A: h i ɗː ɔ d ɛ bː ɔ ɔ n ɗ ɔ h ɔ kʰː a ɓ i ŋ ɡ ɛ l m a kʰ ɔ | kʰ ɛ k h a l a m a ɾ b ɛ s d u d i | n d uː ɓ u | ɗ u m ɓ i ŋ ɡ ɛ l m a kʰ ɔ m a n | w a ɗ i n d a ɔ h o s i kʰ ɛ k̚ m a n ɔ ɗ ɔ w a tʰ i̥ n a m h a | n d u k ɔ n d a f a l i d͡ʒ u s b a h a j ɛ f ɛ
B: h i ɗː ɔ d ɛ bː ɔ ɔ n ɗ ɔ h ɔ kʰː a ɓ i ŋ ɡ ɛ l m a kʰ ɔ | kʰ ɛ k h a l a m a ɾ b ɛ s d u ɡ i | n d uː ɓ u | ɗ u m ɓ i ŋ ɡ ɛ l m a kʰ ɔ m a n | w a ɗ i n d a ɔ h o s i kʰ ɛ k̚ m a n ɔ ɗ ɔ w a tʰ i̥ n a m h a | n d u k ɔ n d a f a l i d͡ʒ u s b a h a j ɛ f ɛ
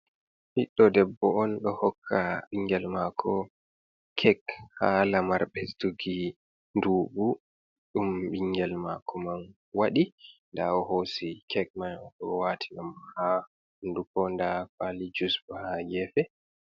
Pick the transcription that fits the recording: B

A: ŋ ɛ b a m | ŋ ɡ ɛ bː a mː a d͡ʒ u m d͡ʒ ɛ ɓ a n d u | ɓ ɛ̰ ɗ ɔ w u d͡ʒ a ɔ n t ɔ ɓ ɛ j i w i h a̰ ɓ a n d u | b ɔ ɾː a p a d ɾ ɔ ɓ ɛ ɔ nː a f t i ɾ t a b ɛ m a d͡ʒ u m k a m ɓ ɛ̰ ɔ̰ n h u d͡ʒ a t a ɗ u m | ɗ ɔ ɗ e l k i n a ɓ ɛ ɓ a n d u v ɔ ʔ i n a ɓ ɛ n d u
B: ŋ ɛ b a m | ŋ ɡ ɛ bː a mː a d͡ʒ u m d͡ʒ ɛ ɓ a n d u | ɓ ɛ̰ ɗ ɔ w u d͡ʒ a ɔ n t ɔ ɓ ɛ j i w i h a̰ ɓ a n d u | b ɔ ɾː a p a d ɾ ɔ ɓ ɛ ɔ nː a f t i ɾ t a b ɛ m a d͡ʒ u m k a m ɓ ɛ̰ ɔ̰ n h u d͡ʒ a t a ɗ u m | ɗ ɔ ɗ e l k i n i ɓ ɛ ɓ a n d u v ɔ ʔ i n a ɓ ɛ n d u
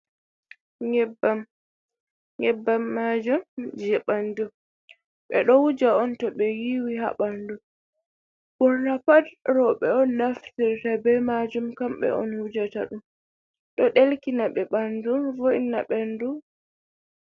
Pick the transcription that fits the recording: A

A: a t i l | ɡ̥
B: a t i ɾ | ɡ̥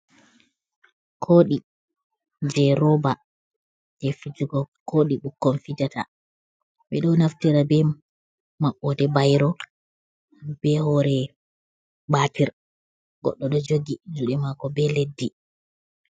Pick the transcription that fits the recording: B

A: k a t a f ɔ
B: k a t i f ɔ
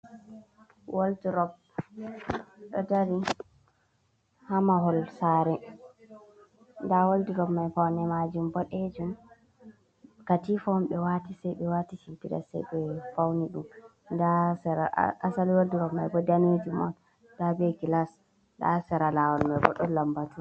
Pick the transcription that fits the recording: B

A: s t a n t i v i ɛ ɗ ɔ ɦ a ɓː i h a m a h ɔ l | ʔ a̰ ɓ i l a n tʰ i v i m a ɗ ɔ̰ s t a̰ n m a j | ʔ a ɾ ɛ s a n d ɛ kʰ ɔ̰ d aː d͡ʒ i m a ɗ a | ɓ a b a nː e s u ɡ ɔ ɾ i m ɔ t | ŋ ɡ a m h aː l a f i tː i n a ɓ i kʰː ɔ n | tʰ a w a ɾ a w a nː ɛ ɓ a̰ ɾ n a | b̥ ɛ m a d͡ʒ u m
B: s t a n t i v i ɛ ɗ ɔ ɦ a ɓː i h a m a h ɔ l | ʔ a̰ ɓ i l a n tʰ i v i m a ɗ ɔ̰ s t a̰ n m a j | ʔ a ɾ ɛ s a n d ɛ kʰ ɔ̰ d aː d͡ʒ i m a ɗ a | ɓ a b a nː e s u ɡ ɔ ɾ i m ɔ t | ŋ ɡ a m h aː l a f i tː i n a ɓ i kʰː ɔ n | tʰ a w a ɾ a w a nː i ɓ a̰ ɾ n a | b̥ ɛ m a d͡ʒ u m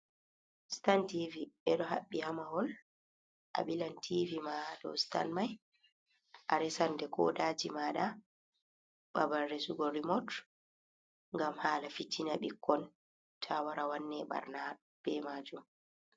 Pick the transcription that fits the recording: A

